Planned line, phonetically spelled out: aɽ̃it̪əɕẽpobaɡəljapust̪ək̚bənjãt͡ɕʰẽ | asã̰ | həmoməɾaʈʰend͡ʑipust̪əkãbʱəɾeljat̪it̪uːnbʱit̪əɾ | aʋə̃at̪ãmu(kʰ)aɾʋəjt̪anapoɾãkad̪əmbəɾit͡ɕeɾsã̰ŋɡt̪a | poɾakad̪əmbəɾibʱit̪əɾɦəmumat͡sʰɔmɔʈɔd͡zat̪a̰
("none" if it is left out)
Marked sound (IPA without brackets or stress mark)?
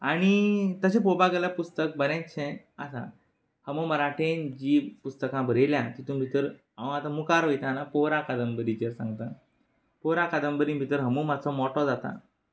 k